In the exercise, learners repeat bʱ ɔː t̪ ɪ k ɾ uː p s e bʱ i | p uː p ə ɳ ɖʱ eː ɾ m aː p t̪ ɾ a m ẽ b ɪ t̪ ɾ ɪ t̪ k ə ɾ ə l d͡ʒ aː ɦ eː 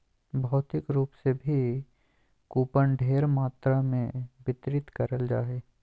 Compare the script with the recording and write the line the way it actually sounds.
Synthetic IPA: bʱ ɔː t̪ ɪ k ɾ uː p s e bʱ i | k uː p ə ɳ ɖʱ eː ɾ m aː t̪ ɾ a m ẽ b ɪ t̪ ɾ ɪ t̪ k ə ɾ ə l d͡ʒ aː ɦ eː